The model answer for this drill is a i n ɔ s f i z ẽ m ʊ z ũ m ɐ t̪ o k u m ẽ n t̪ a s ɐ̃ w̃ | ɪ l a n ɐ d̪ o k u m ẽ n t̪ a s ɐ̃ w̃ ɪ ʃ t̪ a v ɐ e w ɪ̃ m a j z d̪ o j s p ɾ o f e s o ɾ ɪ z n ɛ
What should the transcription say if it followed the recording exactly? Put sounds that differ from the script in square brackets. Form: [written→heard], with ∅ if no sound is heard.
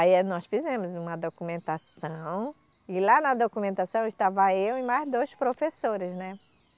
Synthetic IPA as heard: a i n ɔ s f i z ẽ m ʊ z ũ m ɐ [t̪→d̪] o k u m ẽ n t̪ a s ɐ̃ w̃ | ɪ l a n ɐ d̪ o k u m ẽ n t̪ a s ɐ̃ w̃ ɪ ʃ t̪ a v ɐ e w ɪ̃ m a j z d̪ o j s p ɾ o f e s o ɾ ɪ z n ɛ